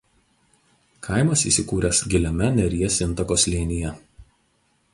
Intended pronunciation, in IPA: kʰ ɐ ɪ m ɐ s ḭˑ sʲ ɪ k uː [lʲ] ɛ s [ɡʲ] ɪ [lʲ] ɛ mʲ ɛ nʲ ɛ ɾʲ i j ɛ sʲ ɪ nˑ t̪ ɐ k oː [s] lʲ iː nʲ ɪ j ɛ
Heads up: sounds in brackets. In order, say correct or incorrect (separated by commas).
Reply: incorrect, correct, correct, correct